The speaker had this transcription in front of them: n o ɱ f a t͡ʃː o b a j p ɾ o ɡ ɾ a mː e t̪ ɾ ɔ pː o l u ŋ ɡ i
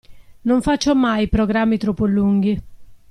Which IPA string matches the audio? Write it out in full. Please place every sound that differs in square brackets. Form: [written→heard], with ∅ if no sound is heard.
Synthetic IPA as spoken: n o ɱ f a t͡ʃː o [b→m] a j p ɾ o ɡ ɾ a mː [e→i] t̪ ɾ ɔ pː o l u ŋ ɡ i